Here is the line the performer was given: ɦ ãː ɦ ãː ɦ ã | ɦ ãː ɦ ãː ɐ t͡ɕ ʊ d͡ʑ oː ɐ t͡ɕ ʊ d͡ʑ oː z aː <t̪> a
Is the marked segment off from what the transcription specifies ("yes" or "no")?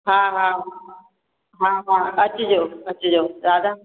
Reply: yes